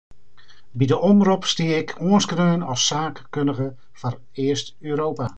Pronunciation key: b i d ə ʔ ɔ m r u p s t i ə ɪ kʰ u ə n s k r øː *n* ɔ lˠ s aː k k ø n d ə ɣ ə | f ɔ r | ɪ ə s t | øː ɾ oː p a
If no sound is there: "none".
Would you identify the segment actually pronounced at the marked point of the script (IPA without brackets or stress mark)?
n